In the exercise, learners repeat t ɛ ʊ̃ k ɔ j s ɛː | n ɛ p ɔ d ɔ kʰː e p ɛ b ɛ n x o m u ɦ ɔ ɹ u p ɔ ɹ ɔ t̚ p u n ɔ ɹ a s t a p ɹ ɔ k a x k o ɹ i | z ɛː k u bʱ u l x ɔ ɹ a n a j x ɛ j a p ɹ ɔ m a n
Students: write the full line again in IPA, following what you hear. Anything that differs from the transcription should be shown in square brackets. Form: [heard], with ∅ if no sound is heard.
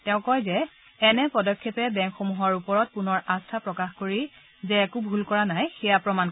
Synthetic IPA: t ɛ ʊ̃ k ɔ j [z] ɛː | n ɛ p ɔ d ɔ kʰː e p ɛ b ɛ [ŋ] x o m u ɦ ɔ ɹ u p ɔ ɹ ɔ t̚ p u n ɔ ɹ a s [tʰ] a p ɹ ɔ k a x k o ɹ i | z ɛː k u bʱ u l [k] ɔ ɹ a n a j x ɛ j a p ɹ ɔ m a n